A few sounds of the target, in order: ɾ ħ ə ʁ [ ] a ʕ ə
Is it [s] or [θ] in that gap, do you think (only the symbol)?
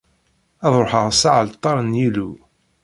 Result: s